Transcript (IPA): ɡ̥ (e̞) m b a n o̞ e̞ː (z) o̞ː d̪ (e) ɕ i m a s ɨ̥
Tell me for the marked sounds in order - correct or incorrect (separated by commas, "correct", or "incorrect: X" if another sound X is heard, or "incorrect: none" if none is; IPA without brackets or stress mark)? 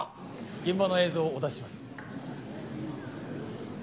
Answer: incorrect: ẽ̞, correct, incorrect: a